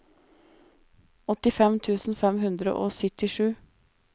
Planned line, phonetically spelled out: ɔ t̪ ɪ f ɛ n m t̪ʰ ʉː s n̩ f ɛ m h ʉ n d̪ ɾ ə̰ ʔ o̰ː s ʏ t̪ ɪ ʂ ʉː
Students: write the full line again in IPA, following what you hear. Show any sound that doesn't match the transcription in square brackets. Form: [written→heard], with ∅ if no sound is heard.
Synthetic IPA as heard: ɔ t̪ ɪ f ɛ [n→∅] m t̪ʰ ʉː s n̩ f ɛ m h ʉ n d̪ ɾ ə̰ ʔ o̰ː s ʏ t̪ ɪ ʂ ʉː